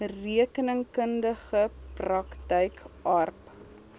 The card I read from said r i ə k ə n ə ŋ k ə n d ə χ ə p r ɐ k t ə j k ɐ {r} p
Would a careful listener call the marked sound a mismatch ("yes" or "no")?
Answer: no